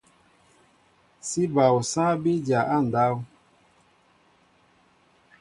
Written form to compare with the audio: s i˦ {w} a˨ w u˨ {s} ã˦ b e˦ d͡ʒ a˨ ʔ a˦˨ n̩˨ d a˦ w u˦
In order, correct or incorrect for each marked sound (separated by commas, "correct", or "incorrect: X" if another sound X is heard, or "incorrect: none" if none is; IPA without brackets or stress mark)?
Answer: incorrect: b, correct